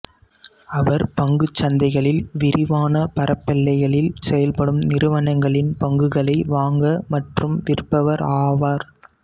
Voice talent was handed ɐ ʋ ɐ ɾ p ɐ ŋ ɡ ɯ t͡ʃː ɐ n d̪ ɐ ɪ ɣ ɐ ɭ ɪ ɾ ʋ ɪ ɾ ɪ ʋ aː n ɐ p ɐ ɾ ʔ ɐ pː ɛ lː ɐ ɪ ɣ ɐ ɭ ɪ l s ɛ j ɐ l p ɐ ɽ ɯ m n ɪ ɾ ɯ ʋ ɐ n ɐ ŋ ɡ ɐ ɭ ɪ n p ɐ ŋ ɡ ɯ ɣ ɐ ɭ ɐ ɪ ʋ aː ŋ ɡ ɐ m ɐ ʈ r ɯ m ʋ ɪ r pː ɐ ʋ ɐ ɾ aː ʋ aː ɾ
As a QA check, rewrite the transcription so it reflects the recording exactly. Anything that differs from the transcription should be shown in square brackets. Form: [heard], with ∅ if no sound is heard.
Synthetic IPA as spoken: ɐ ʋ ɐ ɾ p ɐ ŋ ɡ ɯ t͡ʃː ɐ n d̪ ɐ ɪ ɣ ɐ ɭ ɪ [l] ʋ ɪ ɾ ɪ ʋ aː n ɐ p ɐ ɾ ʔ ɐ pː ɛ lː ɐ ɪ ɣ ɐ ɭ ɪ l s ɛ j ɐ l p ɐ ɽ ɯ m n ɪ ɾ ɯ ʋ ɐ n ɐ ŋ ɡ ɐ ɭ ɪ n p ɐ ŋ ɡ ɯ ɣ ɐ ɭ ɐ ɪ ʋ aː ŋ ɡ ɐ m ɐ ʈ r ɯ m ʋ ɪ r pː ɐ ʋ ɐ ɾ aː ʋ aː ɾ